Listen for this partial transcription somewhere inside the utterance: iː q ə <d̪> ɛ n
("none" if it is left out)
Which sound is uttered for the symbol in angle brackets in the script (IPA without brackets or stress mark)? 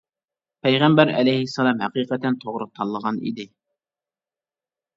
t̪